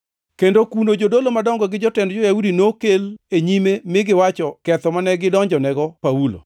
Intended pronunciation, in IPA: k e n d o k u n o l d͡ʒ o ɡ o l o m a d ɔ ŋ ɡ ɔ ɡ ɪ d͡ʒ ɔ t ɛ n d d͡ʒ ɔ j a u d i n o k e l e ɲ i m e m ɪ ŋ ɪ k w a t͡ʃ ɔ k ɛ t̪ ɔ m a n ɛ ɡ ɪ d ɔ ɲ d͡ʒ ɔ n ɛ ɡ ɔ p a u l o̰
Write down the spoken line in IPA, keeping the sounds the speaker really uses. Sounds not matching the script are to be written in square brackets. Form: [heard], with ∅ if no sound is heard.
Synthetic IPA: k e n d o k u n o [∅] d͡ʒ o [d] o l o m a d ɔ ŋ ɡ ɔ ɡ ɪ d͡ʒ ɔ t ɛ n d d͡ʒ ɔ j a u d i n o k e l e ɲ i m e m ɪ [ɡ] ɪ [∅] w a t͡ʃ ɔ k ɛ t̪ ɔ m a n ɛ ɡ ɪ d ɔ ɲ d͡ʒ ɔ n ɛ ɡ ɔ p a u l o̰

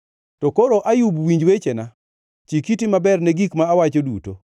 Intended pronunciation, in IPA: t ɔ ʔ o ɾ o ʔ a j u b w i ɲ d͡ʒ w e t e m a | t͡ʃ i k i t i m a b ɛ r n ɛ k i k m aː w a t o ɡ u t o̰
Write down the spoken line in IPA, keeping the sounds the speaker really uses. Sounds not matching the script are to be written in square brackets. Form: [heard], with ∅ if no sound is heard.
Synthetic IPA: t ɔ [k] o ɾ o ʔ a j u b w i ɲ d͡ʒ w e [t͡ʃ] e [n] a | t͡ʃ i k i t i m a b ɛ r n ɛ [ɡ] i k m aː w a [t͡ʃ] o [d] u t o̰

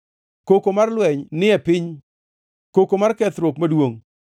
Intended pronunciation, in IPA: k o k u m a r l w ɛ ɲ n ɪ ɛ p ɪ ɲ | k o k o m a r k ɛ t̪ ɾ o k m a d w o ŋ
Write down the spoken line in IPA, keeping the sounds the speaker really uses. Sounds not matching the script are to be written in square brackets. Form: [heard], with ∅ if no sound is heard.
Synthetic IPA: k o k [o] m a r l w ɛ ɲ n ɪ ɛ p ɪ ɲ | k o k o m a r k ɛ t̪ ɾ o k m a d w o ŋ

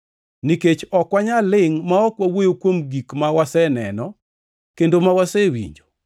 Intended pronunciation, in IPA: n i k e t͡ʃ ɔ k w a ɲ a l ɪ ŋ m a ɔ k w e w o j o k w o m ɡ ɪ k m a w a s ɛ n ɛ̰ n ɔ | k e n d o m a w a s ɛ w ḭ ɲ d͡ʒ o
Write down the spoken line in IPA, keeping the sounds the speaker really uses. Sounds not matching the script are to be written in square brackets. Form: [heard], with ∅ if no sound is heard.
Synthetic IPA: n i k e t͡ʃ ɔ k w a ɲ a l ɪ ŋ m a ɔ k w [a] w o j o k w o m ɡ [i] k m a w a s ɛ n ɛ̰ n ɔ | k e n d o m a w a s ɛ w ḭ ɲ d͡ʒ o

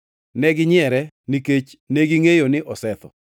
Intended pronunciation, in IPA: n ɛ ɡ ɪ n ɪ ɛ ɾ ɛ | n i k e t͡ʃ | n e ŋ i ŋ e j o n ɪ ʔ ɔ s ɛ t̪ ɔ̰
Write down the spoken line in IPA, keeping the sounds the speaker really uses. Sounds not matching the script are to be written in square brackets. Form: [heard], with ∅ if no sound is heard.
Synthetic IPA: n ɛ ɡ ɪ [ɲ] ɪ ɛ ɾ ɛ | n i k e t͡ʃ | n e [ɡ] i ŋ e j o n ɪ ʔ ɔ s ɛ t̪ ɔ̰

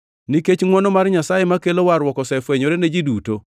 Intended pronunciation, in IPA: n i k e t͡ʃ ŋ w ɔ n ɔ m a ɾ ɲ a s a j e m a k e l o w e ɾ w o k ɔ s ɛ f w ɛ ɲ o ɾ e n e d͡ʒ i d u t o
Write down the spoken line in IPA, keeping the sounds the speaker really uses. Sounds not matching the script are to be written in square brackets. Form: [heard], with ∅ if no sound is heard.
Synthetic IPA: n i k e t͡ʃ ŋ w ɔ n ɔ m a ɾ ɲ a s a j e m a k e l o w [a] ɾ w [ɔ] k ɔ s ɛ f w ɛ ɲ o ɾ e n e d͡ʒ i d u t o

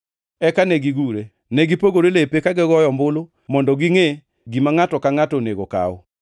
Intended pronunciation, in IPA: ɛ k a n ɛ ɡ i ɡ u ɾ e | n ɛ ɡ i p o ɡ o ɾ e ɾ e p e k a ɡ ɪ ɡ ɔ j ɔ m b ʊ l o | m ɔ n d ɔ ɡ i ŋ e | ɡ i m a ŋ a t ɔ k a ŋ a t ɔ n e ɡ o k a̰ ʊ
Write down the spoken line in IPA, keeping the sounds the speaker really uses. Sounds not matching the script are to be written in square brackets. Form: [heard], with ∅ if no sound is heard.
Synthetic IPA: ɛ k a n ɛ ɡ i ɡ u ɾ e | n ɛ ɡ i p o ɡ o ɾ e [l] e p e k a ɡ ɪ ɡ ɔ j ɔ m b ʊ l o | m ɔ n d ɔ ɡ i ŋ e | ɡ i m a ŋ a t ɔ k a ŋ a t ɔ n e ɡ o k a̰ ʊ

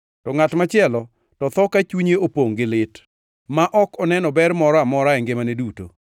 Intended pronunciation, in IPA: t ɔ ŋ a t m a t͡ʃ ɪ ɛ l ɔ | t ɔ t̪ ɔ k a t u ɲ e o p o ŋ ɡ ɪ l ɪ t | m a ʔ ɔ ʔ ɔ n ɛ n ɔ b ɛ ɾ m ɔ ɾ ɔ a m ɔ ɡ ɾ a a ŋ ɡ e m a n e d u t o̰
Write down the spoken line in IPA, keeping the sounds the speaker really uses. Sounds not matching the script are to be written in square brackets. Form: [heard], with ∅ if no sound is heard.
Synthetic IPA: t ɔ ŋ a t m a t͡ʃ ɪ ɛ l ɔ | t ɔ t̪ ɔ k a [t͡ʃ] u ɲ e o p o ŋ ɡ ɪ l ɪ t | m a ʔ ɔ [k] ɔ n ɛ n ɔ b ɛ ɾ m ɔ ɾ ɔ a m ɔ [∅] ɾ a [ɛ] ŋ ɡ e m a n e d u t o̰

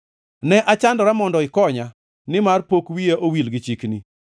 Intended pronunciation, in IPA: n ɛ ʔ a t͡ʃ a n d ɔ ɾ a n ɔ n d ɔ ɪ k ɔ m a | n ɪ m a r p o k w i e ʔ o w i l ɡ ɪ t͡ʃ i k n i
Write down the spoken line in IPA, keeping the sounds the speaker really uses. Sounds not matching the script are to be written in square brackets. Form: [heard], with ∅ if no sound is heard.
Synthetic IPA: n ɛ ʔ a t͡ʃ a n d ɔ ɾ a [m] ɔ n d ɔ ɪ k ɔ [ɲ] a | n ɪ m a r p o k w i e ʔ o w i l ɡ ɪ t͡ʃ i k n i

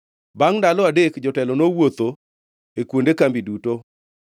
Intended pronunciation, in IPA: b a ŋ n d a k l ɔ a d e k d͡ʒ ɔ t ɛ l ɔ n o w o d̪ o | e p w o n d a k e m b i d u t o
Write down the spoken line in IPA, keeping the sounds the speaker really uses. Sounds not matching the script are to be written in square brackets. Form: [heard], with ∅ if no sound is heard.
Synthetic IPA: b a ŋ n d a [∅] l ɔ a d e k d͡ʒ ɔ t ɛ l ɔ n o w o [t̪] o | e [k] w o n d [e] k [a] m b i d u t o

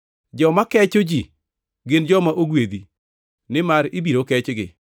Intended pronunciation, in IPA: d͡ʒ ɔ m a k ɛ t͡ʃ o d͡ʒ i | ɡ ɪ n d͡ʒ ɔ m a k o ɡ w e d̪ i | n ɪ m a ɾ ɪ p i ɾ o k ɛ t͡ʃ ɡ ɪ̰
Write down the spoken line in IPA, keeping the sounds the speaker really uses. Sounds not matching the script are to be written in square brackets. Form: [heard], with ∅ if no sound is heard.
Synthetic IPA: d͡ʒ ɔ m a k ɛ t͡ʃ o d͡ʒ i | ɡ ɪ n d͡ʒ ɔ m a [ʔ] o ɡ w e d̪ i | n ɪ m a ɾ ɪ [b] i ɾ o k ɛ t͡ʃ ɡ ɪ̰

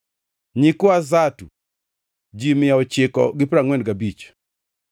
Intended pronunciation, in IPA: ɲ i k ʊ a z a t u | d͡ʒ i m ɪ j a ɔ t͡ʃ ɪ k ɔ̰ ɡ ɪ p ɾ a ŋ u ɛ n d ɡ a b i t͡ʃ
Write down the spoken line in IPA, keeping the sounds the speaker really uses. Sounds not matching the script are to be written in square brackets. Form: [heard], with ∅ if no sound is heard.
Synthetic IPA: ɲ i k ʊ a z a t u | d͡ʒ i m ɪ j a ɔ t͡ʃ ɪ k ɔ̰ ɡ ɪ p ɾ a ŋ [w] ɛ n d ɡ a b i t͡ʃ

